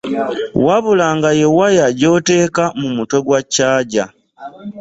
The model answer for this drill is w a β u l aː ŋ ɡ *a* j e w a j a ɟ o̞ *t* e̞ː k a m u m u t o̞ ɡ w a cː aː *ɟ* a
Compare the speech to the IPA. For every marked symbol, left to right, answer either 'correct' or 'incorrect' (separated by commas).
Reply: correct, correct, correct